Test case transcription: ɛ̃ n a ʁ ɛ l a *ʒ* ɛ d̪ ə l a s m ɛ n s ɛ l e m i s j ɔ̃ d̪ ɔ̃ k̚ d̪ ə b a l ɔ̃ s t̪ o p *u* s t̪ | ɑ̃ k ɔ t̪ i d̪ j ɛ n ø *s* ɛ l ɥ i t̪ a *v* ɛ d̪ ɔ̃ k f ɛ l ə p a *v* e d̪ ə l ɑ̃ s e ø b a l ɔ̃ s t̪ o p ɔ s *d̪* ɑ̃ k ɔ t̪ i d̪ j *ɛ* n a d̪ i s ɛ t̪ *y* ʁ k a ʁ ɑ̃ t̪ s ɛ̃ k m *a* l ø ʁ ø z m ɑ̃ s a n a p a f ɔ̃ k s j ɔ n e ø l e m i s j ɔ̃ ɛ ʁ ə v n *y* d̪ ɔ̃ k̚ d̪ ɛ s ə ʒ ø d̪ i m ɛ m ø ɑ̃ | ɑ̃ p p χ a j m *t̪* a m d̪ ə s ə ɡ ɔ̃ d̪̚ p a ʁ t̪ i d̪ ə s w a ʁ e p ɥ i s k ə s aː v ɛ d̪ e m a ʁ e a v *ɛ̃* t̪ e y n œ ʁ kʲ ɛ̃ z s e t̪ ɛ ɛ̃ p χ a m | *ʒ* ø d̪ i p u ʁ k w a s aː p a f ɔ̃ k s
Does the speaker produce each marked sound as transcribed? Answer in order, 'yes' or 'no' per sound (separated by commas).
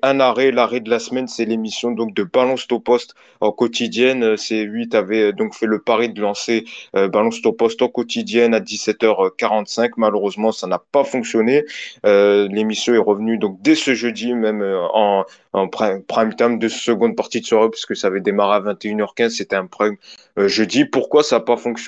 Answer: no, no, yes, yes, no, no, yes, no, yes, yes, yes, yes, yes